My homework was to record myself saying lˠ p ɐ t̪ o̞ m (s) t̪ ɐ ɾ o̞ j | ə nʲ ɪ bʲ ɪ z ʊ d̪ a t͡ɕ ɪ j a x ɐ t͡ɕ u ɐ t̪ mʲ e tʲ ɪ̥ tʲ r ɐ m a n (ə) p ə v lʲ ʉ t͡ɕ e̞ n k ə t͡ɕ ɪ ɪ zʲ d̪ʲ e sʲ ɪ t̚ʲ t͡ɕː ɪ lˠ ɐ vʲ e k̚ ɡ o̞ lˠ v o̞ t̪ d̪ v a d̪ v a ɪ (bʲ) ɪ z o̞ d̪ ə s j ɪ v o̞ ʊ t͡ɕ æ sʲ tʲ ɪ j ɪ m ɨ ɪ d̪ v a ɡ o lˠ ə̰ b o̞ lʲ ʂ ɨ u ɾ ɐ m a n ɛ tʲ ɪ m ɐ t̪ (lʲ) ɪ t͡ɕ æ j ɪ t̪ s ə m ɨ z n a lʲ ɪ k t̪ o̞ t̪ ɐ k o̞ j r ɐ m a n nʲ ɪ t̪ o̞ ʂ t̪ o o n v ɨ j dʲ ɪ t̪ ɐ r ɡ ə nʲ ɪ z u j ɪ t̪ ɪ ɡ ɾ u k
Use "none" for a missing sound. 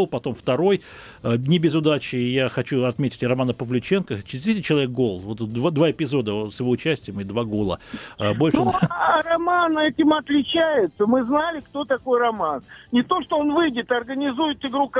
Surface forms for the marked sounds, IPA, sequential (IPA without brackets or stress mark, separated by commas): f, ə, pʲ, lʲ